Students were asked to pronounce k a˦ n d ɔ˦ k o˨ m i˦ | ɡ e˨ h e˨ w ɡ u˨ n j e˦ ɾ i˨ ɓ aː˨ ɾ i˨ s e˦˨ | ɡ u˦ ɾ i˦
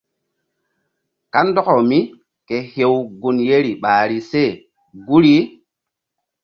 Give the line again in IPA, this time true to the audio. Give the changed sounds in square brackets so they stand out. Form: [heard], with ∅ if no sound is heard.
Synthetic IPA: k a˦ n d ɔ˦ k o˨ m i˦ | [k] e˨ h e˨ w ɡ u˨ n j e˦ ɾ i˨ ɓ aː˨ ɾ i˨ s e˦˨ | ɡ u˦ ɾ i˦